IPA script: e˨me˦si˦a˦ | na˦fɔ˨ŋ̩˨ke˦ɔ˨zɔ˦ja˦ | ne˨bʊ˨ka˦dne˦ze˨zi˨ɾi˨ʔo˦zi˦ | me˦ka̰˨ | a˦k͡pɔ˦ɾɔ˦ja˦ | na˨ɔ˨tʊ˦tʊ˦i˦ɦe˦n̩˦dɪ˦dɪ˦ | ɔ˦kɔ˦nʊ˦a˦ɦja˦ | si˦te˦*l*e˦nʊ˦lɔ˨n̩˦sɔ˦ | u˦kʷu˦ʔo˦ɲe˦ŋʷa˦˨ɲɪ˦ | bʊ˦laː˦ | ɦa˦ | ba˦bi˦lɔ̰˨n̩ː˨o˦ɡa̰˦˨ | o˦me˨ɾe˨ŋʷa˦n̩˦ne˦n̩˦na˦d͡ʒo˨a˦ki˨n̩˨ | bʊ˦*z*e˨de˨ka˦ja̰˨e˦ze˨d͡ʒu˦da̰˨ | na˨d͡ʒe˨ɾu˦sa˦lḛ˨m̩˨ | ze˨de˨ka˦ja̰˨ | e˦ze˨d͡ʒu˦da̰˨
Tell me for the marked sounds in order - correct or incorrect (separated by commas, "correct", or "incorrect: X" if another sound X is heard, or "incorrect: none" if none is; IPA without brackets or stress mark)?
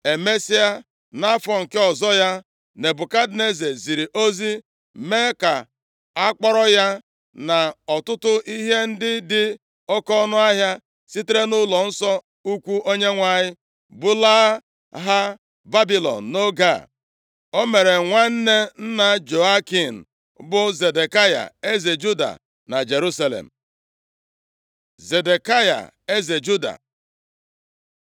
incorrect: ɾ, correct